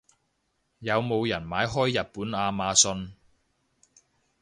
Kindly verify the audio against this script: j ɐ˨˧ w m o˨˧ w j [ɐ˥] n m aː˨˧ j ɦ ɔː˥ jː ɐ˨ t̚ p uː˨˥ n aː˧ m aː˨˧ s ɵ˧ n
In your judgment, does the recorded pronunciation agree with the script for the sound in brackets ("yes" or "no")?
no